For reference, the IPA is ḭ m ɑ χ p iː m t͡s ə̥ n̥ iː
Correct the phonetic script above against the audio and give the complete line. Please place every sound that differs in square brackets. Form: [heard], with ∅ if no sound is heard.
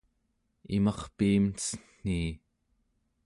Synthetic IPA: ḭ m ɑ χ p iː m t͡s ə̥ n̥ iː